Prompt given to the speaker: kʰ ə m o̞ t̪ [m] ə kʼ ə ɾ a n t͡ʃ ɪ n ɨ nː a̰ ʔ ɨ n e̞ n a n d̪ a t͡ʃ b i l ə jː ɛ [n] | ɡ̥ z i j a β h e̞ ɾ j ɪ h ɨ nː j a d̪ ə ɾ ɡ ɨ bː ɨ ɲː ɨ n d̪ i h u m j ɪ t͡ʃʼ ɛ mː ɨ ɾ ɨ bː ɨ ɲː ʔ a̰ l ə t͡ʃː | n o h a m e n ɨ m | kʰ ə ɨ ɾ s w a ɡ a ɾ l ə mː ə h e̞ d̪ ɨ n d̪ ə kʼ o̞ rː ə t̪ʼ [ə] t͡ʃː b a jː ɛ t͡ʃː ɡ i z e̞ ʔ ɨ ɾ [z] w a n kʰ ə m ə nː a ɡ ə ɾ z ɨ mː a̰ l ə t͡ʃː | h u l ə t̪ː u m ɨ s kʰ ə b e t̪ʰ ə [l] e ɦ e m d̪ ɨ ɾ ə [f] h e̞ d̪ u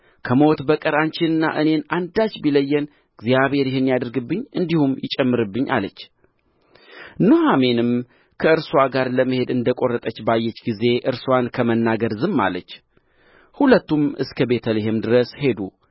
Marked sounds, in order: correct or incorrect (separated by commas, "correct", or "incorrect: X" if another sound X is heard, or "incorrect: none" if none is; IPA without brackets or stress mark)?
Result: incorrect: b, correct, correct, incorrect: s, correct, incorrect: s